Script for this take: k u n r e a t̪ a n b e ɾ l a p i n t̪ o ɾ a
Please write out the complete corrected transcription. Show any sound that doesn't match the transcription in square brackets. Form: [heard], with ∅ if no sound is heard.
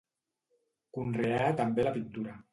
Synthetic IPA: k u n r e a t̪ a [m] b e [∅] l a p i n t̪ [u] ɾ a